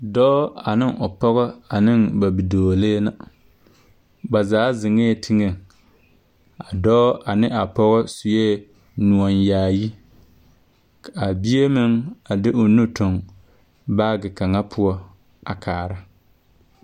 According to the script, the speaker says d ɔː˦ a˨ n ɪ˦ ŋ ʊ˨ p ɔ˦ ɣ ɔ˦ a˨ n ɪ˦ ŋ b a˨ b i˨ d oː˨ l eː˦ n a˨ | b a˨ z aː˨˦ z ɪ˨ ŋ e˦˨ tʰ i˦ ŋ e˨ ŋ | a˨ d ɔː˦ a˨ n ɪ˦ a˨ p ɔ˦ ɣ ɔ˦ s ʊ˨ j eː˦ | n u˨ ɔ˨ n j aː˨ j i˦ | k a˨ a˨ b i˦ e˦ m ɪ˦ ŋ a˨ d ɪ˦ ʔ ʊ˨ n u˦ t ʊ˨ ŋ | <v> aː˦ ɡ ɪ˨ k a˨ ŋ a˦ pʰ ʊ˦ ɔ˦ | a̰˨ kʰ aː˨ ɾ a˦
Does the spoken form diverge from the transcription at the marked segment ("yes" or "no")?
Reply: yes